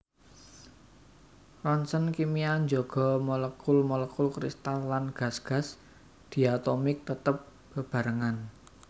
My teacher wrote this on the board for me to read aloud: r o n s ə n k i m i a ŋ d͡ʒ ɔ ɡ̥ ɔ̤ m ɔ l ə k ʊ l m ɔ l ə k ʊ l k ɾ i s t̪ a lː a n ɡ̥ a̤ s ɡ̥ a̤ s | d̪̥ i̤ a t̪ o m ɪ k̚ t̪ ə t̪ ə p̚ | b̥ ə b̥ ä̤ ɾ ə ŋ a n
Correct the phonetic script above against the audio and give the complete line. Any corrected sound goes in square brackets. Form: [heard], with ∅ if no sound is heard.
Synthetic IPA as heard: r [ɔ] n s ə n k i m i a [ɲ] d͡ʒ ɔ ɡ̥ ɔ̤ m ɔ l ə k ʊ l m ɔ l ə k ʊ l k ɾ i s t̪ a lː a n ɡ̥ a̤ s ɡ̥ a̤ s | d̪̥ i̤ a t̪ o m ɪ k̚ t̪ ə t̪ ə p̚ | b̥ ə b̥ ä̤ ɾ ə ŋ a n